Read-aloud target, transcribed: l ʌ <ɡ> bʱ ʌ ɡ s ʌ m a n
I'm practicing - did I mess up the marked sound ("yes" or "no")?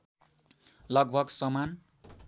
no